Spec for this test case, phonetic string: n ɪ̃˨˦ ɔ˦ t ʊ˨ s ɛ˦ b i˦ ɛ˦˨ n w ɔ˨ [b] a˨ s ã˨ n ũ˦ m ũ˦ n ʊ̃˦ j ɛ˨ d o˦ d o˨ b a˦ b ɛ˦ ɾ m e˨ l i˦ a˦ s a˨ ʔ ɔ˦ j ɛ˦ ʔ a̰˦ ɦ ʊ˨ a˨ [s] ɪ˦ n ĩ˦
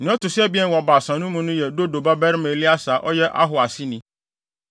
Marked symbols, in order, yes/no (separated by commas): yes, yes